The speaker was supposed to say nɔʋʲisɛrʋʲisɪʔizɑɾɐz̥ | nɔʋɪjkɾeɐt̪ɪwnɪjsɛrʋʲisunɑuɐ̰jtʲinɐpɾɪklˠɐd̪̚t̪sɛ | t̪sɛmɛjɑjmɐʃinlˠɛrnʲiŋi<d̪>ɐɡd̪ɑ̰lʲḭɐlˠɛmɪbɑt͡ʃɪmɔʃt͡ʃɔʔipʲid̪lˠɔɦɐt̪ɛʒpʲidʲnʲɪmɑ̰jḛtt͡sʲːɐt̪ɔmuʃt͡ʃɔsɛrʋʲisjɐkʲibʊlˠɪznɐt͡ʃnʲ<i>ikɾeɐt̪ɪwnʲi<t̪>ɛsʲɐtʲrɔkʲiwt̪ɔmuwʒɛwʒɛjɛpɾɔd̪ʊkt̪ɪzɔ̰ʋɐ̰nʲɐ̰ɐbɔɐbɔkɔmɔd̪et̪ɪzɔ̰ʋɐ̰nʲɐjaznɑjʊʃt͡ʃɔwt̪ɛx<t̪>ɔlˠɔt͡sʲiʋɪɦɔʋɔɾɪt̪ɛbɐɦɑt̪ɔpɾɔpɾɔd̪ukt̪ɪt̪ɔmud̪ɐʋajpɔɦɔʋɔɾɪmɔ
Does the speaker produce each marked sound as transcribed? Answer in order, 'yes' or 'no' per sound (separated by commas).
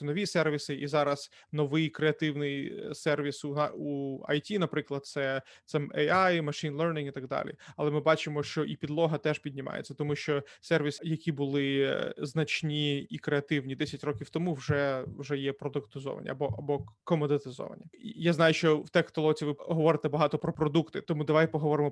no, yes, no, yes